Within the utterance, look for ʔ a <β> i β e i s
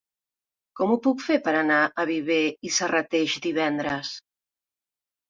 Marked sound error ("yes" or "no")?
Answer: no